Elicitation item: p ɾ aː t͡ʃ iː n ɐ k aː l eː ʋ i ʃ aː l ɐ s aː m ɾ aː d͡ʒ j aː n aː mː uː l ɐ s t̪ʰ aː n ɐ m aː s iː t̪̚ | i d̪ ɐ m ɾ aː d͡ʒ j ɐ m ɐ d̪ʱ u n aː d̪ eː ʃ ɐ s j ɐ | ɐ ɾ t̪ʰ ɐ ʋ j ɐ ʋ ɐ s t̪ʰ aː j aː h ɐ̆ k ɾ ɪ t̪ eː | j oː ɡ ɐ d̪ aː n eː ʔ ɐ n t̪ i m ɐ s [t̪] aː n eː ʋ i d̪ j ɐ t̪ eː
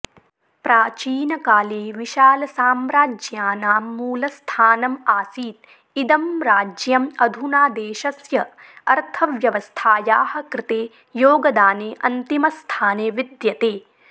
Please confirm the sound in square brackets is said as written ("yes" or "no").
no